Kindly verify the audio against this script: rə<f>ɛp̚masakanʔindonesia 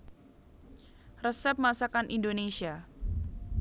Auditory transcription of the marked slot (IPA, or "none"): s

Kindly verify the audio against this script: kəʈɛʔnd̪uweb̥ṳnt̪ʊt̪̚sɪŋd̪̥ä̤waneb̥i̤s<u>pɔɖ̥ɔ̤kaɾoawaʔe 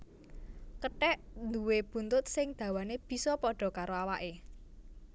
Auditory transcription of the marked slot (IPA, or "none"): ɔ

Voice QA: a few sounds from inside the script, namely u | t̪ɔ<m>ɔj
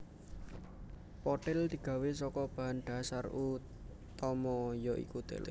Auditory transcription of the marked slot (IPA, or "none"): m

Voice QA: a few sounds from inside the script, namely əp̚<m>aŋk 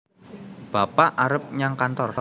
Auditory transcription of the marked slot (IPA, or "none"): ɲ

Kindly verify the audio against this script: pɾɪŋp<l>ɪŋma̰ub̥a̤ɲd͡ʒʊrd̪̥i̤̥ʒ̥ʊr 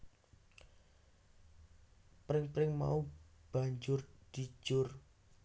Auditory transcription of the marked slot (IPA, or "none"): ɾ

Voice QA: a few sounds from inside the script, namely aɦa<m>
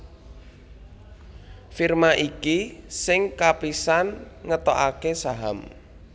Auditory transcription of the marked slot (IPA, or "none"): m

